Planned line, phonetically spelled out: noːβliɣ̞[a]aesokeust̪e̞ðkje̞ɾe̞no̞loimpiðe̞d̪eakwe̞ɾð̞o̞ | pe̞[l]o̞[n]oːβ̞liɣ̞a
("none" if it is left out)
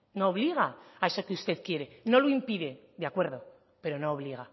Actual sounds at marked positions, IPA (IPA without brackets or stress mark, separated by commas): a, ɾ, n